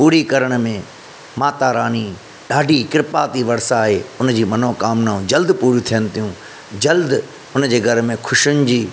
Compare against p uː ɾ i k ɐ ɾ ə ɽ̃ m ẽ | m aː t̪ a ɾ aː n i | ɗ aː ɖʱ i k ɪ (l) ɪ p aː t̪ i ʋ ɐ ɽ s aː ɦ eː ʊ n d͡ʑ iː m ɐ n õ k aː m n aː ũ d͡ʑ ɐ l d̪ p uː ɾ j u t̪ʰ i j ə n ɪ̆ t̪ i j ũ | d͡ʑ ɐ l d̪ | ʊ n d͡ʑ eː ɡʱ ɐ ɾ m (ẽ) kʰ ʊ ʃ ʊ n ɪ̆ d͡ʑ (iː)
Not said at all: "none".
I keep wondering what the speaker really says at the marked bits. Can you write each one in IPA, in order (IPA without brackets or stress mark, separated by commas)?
ɾ, ẽ, iː